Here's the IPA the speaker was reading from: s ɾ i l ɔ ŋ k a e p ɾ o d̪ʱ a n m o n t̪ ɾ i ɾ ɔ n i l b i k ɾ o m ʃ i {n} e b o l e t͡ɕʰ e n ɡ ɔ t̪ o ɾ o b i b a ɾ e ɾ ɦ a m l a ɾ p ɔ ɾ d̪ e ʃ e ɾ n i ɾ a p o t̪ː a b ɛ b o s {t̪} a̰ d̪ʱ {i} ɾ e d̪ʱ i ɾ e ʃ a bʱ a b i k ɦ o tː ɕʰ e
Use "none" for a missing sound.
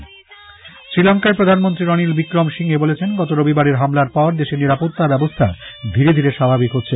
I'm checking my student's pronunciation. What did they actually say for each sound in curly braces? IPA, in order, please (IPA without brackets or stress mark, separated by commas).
ŋ, t̪ʰ, i